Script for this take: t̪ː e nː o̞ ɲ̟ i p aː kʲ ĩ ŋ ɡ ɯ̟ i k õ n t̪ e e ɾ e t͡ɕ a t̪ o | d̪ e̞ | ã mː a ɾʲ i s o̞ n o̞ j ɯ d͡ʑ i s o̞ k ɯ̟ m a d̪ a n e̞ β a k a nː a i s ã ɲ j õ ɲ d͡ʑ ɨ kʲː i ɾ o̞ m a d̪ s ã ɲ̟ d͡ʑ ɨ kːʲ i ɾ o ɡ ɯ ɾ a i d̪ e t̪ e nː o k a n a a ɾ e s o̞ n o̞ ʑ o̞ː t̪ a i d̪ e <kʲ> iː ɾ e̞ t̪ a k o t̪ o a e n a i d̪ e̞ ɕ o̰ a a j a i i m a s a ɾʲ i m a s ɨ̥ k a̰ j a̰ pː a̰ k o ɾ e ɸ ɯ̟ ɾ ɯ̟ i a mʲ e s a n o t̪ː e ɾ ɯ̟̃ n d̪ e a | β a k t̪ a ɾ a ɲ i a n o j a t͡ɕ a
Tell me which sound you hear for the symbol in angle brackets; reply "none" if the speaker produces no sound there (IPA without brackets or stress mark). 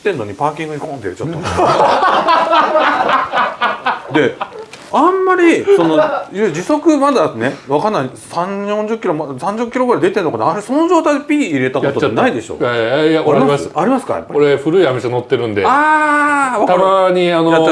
pʲ